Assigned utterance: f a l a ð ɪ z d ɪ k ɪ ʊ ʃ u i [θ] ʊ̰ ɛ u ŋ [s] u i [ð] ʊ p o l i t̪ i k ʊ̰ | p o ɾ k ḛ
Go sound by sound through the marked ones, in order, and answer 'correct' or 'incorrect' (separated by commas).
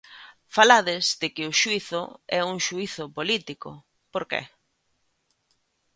correct, incorrect, incorrect